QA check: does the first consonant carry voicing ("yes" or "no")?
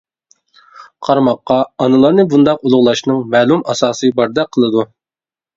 no